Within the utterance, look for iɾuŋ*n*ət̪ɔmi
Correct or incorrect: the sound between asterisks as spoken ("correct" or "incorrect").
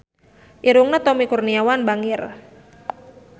correct